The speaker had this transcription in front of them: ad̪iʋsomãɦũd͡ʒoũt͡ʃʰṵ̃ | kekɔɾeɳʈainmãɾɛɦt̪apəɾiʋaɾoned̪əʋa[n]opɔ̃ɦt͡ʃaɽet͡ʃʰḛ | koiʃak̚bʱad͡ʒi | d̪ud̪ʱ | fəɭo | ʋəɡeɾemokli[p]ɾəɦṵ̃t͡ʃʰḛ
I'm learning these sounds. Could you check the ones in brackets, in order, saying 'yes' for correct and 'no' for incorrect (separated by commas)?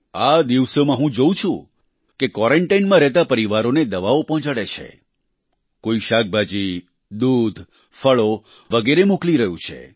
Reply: no, no